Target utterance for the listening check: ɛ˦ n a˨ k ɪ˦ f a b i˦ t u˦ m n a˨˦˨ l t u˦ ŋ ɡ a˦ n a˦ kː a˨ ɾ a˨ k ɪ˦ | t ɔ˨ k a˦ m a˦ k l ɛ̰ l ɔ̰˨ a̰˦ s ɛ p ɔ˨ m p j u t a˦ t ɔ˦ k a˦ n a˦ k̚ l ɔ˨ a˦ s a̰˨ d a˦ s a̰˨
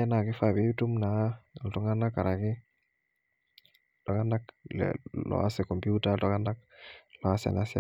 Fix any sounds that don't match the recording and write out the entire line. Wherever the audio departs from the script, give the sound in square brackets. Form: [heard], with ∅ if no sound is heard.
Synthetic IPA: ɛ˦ n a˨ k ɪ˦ f a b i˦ t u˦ m n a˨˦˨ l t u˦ ŋ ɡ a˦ n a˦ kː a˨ ɾ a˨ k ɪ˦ | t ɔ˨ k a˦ [n] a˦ k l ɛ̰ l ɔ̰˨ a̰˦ s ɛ [k] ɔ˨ m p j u t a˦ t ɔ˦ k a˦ n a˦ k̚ l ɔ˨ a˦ s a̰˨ [n] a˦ s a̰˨

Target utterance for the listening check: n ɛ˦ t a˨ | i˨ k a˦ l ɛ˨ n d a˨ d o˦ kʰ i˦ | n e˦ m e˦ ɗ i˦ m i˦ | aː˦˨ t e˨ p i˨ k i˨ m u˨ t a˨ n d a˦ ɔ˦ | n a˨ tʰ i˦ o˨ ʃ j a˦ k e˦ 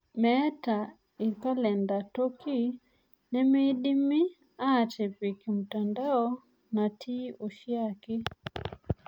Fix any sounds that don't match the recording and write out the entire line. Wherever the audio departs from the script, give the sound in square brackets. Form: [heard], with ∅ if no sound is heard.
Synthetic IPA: [m] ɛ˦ t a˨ | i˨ k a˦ l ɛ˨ n d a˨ [t] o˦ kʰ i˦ | n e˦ m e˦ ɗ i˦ m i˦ | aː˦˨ t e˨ p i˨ k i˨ m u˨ t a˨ n d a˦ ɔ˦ | n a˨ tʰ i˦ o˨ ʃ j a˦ k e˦

